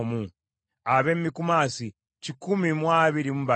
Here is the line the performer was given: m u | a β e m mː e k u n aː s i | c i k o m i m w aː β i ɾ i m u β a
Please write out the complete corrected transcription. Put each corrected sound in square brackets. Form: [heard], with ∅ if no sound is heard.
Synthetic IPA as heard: m u | a β e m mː [i] k u [m] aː s i | c i k [u] m i m w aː β i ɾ i m u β a